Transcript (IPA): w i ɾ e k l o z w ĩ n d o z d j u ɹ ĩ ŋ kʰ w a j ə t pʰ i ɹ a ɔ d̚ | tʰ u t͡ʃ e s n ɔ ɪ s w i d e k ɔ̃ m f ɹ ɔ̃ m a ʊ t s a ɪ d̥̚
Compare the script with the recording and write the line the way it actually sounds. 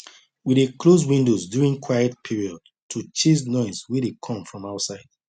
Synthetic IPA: w i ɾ e k l o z w ĩ n d o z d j u ɹ ĩ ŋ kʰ w a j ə t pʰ i ɹ i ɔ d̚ | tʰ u t͡ʃ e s n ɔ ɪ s w i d e kʰ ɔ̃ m f ɹ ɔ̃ m a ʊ t s a ɪ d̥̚